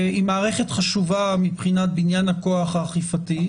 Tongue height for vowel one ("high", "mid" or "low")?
high